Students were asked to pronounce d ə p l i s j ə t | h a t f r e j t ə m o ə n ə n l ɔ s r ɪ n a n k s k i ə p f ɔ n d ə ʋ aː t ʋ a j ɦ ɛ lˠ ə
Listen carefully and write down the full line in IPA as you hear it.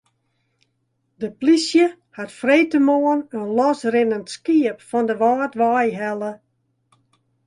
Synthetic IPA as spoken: d ə p l i s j ə | h a t f r e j t ə m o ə n ə n l ɔ s r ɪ n ə n t s k i ə p f ɔ n d ə ʋ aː t ʋ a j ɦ ɛ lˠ ə

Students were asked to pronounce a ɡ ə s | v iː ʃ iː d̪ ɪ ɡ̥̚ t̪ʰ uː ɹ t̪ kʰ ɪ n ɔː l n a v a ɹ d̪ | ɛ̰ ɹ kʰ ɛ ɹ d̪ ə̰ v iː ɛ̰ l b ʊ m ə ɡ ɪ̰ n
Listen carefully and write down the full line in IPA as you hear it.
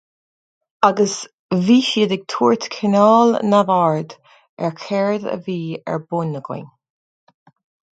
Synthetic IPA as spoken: a ɡ ə s | v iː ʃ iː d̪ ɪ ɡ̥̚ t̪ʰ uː ɹ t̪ kʰ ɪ n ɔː l n a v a ɹ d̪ | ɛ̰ ɹ kʰ ɛ ɹ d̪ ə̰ v iː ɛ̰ ɹ b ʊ n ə ɡ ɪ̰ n

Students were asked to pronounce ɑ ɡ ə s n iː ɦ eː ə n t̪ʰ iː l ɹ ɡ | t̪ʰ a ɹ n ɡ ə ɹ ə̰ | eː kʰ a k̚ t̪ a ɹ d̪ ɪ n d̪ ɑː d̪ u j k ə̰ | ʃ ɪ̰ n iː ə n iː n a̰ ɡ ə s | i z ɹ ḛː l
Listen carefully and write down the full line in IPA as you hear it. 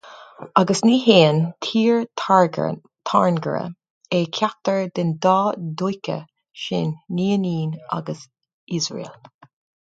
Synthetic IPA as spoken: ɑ ɡ ə s n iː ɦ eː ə n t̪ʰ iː ɹ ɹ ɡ | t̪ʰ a ɹ n ɡ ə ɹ ə̰ | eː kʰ a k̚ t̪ ə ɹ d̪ ɪ n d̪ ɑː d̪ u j k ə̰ | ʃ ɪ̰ nː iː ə n iː n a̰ ɡ ə s | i z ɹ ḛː l

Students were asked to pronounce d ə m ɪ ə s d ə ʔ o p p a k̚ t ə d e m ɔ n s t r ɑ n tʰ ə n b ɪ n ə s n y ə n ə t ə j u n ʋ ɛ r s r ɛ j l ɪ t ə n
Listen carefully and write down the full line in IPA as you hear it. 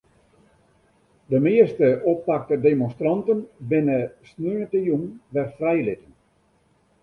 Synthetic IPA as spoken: d ə m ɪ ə s t ə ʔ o p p a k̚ t ə d e m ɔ n s t r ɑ n t ə n b ɪ n ə s n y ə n ə t ə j u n ʋ ɛ r f r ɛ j l ɪ t ə n

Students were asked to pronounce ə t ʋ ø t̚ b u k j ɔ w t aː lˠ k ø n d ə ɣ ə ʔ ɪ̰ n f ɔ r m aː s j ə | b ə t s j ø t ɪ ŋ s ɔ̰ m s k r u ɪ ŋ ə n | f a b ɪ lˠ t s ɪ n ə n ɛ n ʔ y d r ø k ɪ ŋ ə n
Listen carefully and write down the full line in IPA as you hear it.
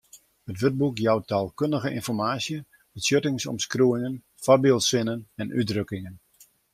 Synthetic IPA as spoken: ə t ʋ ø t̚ b u k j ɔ w t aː lˠ k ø n d ə ɣ ə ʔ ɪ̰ n f ɔ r m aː s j ə | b ə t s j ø t ɪ ŋ s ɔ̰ m s k r u ɪ ŋ ə n | f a b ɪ lˠ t s ɪ n ə n ɛ n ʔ y d r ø k ɪ ŋ ə n

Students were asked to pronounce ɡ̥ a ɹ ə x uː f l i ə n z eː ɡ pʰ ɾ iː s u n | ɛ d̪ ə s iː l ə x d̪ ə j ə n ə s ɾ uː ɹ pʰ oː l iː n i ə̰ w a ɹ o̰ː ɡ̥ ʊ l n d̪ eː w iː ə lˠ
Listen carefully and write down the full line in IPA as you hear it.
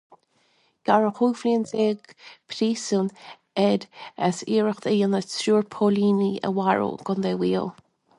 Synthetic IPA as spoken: ɡ̥ a ɹ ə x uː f l i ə n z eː ɡ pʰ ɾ iː s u n | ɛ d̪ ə s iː ɹ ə x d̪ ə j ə n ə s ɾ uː ɹ pʰ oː l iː n i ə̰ w a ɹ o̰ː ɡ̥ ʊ n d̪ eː w iː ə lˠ

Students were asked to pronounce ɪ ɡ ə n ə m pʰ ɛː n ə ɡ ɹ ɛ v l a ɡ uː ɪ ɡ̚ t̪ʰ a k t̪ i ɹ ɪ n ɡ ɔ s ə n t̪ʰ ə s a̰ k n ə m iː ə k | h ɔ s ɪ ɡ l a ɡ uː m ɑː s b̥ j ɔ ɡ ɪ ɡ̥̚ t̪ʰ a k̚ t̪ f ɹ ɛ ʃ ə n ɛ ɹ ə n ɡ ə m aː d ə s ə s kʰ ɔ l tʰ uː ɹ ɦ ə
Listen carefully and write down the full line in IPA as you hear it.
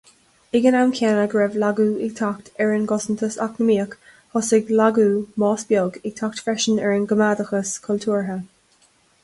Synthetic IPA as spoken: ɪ ɡ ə n a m kʰ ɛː n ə ɡ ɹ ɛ v l a ɡ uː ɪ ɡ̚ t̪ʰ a k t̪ ɛ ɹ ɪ n ɡ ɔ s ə n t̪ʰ ə s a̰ k n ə m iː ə k | h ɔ s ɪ ɡ l a ɡ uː m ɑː s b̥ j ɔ ɡ ɪ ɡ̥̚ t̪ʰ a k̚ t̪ f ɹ ɛ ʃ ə n ɛ ɹ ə n ɡ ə m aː d ə x ə s kʰ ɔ l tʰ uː ɹ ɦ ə

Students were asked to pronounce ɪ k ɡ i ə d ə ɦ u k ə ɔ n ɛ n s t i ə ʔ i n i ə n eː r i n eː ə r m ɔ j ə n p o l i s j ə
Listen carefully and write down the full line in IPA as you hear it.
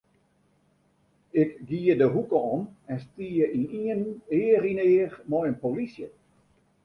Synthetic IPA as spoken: ɪ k ɡ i ə d ə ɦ u k ə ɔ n ɛ n s t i ə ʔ i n i ə n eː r i n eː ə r m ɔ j ə n p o l i s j ə

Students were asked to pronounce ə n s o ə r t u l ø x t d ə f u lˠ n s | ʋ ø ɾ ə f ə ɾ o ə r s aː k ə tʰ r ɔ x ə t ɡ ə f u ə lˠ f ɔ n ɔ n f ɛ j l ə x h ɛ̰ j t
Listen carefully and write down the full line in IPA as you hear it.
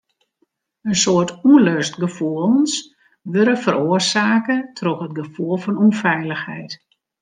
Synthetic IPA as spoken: ə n s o ə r t u l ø s t ɡ ə f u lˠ n s | ʋ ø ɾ ə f ə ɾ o ə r s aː k ə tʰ r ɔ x ə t ɡ ə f u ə lˠ f ɔ n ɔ n f ɛ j l ə x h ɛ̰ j t

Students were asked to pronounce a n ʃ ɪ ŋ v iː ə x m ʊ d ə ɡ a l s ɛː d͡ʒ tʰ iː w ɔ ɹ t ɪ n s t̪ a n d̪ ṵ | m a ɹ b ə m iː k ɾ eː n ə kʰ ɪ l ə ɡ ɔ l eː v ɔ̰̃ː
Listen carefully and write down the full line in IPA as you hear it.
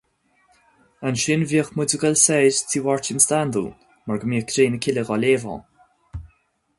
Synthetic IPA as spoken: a n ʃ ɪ n v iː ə x m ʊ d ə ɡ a l s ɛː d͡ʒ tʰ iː w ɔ ɹ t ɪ n s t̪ a n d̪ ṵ | m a ɹ ɡ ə m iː k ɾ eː n ə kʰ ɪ l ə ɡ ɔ l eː v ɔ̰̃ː

